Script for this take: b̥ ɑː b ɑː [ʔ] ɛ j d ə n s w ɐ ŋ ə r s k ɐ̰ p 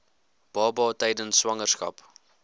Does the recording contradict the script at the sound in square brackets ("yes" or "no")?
yes